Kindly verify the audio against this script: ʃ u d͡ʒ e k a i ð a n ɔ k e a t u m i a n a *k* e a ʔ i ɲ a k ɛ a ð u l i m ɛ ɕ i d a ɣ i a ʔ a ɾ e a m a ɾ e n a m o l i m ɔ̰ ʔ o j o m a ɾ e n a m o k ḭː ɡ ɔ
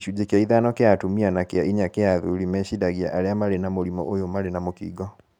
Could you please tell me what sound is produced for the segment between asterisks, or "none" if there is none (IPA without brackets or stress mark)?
k